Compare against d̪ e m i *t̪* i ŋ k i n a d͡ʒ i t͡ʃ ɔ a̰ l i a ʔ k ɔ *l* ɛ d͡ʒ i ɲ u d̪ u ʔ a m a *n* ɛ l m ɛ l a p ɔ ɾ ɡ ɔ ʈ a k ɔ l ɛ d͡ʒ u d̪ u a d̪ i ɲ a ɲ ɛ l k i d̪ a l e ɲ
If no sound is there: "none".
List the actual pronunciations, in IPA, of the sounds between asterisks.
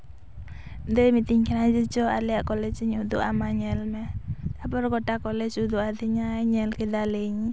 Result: t̪, l, ɲ

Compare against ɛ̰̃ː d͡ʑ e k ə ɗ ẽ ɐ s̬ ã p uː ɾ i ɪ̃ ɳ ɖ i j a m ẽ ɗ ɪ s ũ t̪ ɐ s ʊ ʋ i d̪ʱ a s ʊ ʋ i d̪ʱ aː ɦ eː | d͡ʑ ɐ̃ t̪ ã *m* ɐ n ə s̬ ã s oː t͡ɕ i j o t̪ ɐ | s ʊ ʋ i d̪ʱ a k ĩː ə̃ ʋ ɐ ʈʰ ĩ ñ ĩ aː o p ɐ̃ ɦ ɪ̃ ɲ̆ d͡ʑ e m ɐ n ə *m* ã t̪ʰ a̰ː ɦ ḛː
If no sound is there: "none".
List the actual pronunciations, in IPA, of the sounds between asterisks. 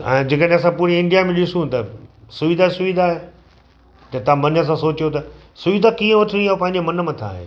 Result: m, m

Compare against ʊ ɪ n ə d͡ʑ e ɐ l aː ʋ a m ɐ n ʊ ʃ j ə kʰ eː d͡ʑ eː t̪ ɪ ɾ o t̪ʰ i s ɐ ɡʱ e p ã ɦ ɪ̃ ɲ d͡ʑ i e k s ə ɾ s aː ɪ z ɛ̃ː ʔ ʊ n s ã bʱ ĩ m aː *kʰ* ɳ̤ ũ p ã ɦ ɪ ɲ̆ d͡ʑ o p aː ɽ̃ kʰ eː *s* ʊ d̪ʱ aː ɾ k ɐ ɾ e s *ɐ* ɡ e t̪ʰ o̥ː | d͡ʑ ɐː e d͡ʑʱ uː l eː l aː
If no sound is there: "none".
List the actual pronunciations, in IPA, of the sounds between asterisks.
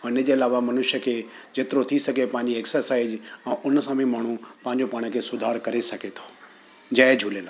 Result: none, s, ɐ

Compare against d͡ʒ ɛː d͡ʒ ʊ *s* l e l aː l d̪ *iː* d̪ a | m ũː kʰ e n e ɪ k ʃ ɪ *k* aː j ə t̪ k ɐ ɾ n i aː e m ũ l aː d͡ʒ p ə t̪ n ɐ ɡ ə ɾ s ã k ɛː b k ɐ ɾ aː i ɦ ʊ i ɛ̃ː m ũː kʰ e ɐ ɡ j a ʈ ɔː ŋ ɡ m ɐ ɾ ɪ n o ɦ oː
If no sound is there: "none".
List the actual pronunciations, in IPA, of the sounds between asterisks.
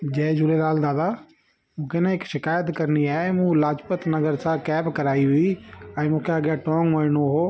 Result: none, aː, k

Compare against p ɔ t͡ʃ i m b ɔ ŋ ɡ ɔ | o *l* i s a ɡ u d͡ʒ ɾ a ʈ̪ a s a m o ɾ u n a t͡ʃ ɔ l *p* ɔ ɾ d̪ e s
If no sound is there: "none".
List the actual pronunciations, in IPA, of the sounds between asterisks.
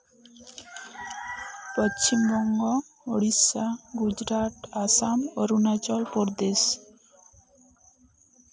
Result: ɽ, p

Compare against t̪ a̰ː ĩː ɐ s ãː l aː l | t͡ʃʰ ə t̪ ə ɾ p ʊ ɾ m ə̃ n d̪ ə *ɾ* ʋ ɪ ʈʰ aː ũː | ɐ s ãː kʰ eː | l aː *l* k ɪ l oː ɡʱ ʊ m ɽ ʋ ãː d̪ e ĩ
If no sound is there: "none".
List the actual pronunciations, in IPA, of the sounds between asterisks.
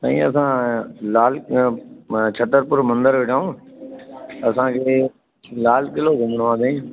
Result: ɾ, l

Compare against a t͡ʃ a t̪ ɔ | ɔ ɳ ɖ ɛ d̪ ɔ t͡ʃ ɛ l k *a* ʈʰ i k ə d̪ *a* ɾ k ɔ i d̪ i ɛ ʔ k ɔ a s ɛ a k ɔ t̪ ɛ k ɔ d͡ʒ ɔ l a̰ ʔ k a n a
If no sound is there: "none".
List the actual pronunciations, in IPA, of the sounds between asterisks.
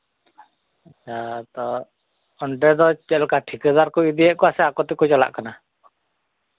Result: a, a

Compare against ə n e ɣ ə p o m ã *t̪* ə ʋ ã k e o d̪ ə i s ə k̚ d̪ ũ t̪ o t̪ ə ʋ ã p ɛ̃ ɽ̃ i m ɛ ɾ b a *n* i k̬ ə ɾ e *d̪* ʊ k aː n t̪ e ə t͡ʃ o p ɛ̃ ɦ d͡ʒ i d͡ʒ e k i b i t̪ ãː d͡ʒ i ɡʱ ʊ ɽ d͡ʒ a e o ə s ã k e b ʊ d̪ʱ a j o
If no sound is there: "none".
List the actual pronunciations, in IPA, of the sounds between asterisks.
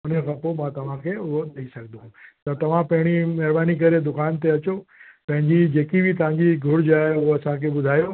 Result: t̪, n, d̪

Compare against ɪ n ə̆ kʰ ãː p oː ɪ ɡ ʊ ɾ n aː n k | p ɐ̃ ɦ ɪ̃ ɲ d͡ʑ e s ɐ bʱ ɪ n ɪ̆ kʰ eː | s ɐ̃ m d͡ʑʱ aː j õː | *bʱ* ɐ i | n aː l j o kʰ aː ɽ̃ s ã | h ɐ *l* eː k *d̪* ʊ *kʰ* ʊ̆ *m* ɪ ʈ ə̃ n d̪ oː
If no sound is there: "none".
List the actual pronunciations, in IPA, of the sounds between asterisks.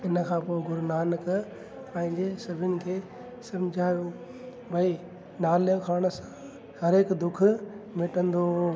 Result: bʱ, ɾ, d̪, kʰ, m

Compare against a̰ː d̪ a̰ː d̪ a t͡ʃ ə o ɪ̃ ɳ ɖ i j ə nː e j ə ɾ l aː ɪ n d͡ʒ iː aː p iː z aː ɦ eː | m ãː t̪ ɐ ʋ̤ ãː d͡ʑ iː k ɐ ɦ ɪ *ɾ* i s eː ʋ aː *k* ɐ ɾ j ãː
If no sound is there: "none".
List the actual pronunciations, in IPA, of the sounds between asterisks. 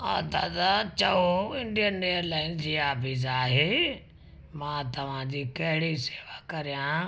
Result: ɽ, k

